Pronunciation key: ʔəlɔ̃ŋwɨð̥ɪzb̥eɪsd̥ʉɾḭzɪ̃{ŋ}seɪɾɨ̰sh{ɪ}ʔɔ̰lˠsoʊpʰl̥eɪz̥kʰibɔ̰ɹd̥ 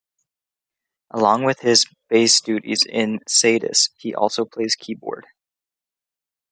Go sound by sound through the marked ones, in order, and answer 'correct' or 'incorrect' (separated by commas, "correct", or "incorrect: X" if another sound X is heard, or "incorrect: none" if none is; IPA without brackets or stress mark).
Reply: incorrect: n, incorrect: i